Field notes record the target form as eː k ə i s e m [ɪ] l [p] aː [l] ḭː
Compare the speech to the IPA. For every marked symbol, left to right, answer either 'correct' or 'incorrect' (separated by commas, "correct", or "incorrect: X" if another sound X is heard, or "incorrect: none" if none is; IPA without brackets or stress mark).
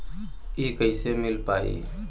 correct, correct, incorrect: none